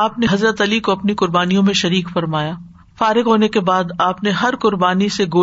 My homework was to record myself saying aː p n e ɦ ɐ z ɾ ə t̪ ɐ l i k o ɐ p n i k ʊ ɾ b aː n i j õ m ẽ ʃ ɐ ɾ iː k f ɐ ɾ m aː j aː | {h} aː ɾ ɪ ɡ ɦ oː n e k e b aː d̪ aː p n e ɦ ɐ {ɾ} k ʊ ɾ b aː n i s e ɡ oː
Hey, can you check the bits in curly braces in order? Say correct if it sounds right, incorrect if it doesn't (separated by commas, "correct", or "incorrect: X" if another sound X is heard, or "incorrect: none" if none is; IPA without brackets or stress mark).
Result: incorrect: f, correct